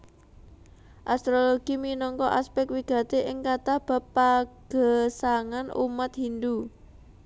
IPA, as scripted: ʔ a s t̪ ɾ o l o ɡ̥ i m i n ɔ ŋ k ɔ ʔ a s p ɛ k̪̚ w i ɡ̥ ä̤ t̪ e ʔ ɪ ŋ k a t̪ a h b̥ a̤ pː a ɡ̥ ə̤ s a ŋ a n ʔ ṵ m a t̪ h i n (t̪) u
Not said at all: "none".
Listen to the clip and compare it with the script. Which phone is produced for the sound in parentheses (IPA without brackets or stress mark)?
d̪